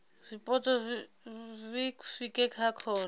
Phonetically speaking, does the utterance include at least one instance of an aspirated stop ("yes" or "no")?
yes